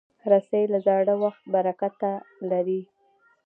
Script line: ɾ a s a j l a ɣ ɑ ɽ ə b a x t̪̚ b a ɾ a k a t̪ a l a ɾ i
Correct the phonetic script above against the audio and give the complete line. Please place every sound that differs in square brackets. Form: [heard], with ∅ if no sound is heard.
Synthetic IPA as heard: ɾ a s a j l a [z] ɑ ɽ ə [w] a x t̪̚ b a ɾ a k a t̪ a l a ɾ i